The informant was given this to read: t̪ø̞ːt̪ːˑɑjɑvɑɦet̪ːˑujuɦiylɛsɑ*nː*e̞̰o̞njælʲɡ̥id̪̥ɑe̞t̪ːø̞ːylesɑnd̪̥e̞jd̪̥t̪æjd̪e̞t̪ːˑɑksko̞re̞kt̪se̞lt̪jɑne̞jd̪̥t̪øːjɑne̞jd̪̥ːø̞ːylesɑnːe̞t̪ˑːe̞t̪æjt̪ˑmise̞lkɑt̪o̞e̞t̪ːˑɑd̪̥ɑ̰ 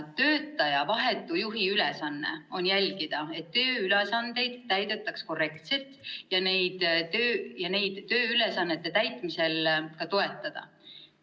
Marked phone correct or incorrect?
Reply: correct